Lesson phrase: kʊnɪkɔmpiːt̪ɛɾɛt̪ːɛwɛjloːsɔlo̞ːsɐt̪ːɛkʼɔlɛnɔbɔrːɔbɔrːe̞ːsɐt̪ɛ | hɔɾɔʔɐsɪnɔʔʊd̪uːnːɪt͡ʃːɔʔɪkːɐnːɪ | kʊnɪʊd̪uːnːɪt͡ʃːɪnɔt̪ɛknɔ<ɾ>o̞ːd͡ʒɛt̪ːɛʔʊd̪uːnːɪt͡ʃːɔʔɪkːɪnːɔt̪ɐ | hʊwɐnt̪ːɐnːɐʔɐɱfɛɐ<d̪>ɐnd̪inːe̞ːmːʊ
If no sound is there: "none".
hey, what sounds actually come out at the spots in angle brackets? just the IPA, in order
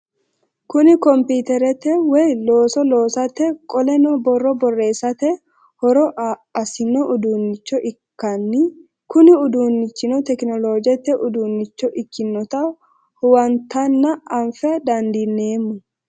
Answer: l, d̪

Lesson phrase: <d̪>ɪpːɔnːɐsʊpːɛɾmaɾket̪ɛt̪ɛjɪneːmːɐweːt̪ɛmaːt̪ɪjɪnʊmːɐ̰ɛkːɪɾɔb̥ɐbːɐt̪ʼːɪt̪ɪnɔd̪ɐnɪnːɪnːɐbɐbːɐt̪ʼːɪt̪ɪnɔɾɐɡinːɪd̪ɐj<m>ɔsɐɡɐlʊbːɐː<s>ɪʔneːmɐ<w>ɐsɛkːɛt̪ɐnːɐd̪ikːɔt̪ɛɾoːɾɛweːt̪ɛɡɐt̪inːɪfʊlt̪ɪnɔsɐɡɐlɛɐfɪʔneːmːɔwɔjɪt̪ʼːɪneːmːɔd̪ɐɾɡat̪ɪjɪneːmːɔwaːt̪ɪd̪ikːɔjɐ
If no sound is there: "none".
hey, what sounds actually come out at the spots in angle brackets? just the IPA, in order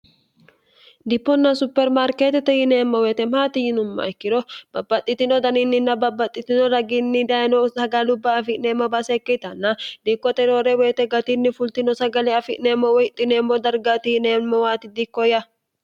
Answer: d̪, n, f, b

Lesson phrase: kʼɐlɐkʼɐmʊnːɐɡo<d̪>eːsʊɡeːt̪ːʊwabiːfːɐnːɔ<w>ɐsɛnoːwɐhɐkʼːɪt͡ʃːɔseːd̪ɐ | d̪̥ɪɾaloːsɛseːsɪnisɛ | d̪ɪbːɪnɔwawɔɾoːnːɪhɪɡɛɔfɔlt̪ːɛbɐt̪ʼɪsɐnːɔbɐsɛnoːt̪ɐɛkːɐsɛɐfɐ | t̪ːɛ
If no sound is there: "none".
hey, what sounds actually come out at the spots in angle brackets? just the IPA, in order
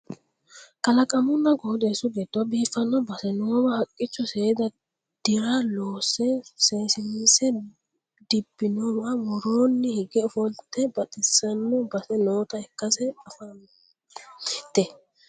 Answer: d̪, b

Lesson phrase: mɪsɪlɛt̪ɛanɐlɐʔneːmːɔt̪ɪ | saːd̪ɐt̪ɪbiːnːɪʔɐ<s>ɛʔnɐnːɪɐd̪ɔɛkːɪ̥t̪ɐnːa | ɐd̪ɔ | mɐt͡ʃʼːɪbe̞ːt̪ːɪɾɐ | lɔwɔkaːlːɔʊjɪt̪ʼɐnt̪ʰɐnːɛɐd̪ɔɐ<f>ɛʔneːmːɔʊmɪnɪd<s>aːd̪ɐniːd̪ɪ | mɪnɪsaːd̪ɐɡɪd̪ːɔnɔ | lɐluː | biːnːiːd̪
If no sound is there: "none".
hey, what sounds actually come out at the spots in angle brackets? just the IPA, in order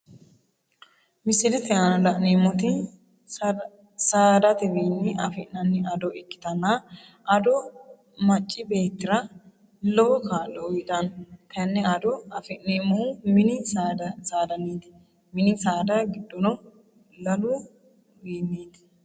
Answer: f, f, s

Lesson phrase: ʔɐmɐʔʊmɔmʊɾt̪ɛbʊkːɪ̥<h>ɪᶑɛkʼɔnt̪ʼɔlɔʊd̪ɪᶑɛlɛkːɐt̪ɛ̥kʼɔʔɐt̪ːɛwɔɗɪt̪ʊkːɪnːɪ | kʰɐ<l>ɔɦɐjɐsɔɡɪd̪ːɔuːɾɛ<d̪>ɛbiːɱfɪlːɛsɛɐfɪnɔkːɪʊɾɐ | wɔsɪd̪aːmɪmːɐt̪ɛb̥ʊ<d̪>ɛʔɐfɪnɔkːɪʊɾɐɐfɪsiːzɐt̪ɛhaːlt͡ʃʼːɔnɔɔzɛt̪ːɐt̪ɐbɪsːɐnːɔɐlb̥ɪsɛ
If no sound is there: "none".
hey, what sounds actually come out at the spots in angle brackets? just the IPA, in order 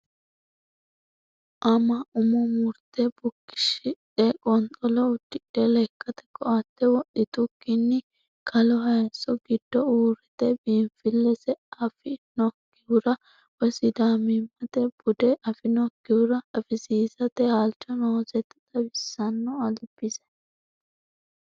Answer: ʃ, l, t̪, d̪

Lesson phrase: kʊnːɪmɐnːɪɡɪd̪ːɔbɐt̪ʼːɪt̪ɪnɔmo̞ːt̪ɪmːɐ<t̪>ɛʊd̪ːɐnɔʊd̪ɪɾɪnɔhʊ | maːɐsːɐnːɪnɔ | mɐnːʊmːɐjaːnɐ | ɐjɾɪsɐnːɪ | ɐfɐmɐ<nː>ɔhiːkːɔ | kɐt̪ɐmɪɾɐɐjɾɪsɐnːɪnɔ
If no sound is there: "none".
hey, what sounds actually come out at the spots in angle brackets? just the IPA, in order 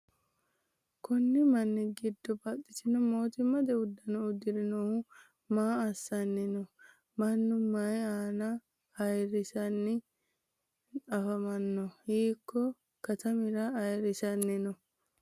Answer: d̪, nː

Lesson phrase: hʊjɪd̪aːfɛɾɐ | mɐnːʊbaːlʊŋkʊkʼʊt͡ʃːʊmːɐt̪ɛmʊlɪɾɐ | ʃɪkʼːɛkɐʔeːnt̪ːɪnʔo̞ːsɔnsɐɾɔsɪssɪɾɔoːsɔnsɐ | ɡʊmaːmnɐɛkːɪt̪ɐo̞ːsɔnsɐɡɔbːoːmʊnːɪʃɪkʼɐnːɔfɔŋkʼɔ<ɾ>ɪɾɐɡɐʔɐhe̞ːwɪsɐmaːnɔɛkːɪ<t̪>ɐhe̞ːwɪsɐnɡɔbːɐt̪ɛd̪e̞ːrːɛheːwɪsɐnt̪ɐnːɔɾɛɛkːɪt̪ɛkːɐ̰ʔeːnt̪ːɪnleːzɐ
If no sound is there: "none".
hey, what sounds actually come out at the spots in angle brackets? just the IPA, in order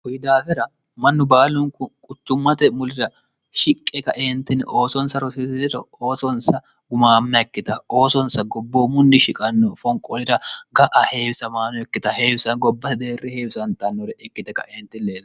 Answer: l, t̪

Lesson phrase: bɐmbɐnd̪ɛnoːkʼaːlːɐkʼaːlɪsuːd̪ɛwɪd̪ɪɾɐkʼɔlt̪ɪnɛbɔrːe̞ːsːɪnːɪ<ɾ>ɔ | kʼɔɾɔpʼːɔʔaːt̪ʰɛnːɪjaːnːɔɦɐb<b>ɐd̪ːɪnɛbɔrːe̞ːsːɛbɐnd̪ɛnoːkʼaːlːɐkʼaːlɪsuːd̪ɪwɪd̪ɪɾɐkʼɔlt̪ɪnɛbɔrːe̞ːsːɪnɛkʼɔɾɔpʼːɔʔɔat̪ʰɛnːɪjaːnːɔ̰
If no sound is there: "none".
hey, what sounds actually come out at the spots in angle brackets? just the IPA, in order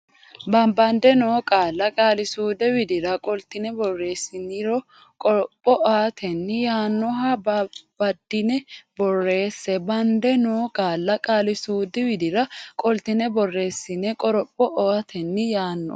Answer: ɾ, b

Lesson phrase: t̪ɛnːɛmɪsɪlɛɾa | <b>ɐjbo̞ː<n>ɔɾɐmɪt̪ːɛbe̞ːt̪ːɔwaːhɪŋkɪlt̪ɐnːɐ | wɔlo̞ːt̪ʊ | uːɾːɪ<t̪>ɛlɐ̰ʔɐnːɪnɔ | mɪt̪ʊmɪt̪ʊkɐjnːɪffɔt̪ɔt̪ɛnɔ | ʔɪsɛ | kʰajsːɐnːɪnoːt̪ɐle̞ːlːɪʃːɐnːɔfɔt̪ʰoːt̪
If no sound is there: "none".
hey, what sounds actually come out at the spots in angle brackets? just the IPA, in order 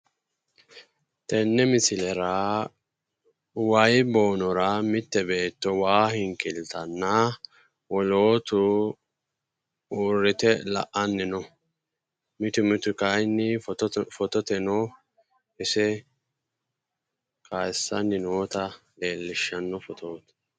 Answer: w, n, t̪

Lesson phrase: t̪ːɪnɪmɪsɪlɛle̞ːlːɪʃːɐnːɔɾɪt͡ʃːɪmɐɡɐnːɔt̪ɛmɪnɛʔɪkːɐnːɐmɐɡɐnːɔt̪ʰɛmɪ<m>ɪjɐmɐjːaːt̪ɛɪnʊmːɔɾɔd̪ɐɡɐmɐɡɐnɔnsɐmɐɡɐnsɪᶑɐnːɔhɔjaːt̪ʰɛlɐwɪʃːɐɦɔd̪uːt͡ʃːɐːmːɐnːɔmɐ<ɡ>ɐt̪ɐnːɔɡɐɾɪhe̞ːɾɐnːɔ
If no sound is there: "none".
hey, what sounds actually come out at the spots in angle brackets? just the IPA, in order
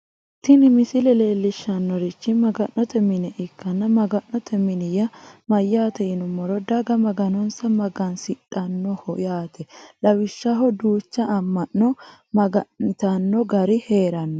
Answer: n, ɡ

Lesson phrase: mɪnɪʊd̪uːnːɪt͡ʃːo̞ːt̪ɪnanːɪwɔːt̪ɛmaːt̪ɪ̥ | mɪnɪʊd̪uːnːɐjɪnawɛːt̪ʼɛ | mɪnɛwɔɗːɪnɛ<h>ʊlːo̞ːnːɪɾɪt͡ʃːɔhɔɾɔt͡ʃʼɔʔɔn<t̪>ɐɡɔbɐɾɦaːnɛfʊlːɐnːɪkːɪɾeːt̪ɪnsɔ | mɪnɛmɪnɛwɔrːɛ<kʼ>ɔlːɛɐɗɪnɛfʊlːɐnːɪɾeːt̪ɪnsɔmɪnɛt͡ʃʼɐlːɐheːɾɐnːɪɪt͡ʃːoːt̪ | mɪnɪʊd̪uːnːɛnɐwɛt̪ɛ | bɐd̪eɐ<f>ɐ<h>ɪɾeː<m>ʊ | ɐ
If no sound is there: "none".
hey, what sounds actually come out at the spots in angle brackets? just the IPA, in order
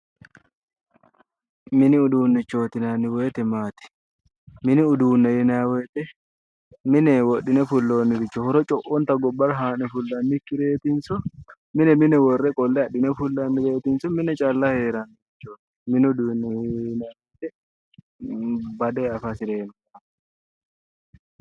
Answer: f, t̪, kʼ, f, s, n

